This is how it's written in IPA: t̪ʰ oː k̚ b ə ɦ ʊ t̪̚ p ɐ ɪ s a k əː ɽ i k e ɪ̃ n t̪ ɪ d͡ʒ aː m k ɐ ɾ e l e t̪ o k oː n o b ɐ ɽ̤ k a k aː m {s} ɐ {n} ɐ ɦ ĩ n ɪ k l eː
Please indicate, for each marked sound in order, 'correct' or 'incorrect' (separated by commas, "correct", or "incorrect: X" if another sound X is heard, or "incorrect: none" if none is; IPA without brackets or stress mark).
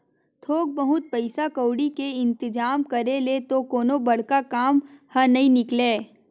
incorrect: h, correct